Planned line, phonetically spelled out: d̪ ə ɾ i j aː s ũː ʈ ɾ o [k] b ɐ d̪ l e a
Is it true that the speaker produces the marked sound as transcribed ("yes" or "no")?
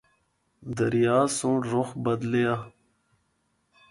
no